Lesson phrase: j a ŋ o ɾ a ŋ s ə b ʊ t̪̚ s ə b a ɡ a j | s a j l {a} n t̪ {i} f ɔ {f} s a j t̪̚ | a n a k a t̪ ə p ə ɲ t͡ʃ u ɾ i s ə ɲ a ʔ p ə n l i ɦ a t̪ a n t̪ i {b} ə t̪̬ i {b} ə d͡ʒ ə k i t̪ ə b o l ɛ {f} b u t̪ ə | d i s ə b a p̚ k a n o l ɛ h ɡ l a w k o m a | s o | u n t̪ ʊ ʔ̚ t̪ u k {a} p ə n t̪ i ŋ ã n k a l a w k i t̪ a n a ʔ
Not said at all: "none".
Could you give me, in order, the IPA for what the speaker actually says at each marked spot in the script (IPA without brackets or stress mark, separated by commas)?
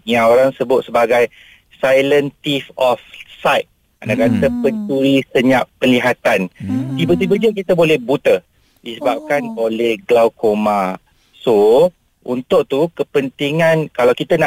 ə, i, f, b, b, h, ə